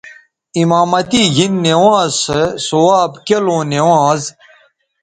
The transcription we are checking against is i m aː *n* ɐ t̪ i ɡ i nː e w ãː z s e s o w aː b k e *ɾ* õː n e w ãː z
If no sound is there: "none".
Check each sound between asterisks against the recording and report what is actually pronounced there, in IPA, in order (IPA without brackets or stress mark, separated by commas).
m, l